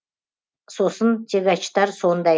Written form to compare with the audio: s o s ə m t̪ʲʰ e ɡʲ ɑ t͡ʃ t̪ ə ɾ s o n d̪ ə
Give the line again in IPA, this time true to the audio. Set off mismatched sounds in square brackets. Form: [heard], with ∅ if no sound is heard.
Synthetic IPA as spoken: s o s ə [n] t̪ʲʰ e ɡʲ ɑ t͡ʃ t̪ [ɑ] ɾ s o n d̪ [ɑ]